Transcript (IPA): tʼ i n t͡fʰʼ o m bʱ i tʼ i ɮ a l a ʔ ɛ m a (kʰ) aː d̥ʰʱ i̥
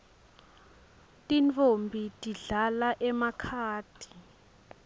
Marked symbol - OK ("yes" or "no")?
yes